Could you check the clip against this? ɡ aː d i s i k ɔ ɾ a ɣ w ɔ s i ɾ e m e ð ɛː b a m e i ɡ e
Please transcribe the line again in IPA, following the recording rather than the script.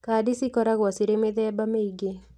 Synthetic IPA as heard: k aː d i s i k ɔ ɾ a ɣ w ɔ s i ɾ e m e ð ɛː b a m e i ɡ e